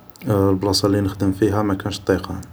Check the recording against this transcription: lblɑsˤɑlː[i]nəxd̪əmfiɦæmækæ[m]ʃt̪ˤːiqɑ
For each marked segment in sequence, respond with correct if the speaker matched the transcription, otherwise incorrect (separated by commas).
correct, incorrect